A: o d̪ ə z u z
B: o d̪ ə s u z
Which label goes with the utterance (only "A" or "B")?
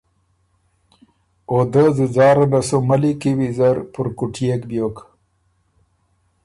A